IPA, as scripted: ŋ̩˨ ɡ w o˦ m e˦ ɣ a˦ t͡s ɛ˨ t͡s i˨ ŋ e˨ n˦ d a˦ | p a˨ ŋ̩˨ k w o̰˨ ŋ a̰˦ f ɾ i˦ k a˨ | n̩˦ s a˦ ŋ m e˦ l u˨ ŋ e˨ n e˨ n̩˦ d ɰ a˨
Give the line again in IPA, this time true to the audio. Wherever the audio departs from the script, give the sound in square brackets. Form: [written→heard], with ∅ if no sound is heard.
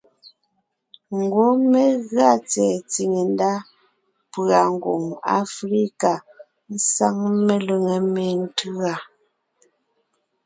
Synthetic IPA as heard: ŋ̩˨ ɡ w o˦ m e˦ ɣ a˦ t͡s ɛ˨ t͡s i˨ ŋ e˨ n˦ d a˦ | p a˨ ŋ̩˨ [k→ɡ] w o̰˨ ŋ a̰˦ f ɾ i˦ k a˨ | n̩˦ s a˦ ŋ m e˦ l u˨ ŋ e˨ [n→m] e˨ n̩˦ [d→t] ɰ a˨